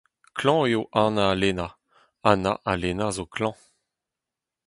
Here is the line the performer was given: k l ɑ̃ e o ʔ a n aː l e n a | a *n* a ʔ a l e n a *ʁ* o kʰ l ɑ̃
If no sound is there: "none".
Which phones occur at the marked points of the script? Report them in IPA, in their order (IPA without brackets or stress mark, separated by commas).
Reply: n, z